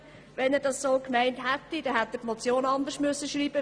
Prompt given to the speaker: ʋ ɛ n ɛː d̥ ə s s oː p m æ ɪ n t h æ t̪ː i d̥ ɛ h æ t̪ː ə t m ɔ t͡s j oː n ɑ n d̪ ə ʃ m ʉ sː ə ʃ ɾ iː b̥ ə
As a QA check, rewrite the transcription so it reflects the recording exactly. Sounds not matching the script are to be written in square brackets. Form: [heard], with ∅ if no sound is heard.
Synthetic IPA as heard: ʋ ɛ n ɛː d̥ [ɑ] s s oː [k] m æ ɪ n t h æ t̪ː i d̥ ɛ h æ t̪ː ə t m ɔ t͡s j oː n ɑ n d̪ ə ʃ m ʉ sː ə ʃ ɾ iː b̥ ə